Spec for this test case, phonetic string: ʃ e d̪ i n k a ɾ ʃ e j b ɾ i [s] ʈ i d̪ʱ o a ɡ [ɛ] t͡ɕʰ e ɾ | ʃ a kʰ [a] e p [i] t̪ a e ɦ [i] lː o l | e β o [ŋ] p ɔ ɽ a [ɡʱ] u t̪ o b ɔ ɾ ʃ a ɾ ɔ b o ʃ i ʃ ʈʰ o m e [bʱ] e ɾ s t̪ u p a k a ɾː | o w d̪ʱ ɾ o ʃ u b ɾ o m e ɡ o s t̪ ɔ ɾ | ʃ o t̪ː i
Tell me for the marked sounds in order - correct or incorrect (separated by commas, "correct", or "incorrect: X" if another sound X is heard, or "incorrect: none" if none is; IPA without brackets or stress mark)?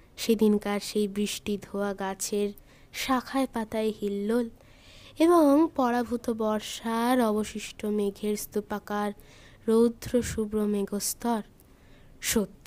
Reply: incorrect: ʃ, incorrect: a, correct, incorrect: a, correct, correct, incorrect: bʱ, incorrect: ɡʱ